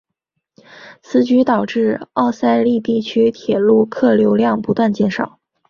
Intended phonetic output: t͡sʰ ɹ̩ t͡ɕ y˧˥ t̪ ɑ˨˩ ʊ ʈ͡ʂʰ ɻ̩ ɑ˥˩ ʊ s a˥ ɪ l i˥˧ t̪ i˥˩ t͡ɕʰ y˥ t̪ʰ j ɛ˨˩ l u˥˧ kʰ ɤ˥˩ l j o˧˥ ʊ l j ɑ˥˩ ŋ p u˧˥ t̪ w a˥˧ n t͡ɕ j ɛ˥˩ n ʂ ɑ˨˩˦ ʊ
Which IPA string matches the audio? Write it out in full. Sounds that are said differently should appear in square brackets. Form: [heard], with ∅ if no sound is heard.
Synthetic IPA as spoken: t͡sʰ ɹ̩ t͡ɕ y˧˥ t̪ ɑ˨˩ ʊ [ʈ͡ʂ] ɻ̩ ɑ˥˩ ʊ s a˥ ɪ l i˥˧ t̪ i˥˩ t͡ɕʰ y˥ t̪ʰ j ɛ˨˩ l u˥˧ kʰ ɤ˥˩ l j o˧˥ ʊ l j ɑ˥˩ ŋ p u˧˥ t̪ w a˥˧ n t͡ɕ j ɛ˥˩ n ʂ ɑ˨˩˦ ʊ